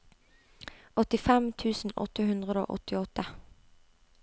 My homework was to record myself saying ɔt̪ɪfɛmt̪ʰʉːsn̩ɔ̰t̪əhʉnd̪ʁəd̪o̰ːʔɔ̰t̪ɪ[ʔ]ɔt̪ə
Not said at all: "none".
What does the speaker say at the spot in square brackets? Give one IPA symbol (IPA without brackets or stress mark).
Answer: none